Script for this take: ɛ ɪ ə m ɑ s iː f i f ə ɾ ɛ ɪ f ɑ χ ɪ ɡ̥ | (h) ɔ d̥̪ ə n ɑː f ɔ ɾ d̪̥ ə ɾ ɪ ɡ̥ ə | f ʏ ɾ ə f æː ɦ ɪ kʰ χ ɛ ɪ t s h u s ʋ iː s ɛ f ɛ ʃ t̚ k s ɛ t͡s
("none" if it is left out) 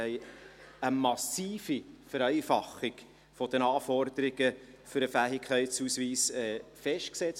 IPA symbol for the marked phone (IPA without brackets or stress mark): f